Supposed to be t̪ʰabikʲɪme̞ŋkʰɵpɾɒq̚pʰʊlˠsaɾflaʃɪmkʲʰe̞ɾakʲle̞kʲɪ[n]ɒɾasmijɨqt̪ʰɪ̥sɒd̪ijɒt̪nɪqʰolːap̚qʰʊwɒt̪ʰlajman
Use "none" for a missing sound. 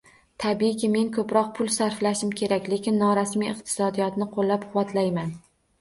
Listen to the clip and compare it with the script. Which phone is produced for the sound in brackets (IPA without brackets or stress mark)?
nː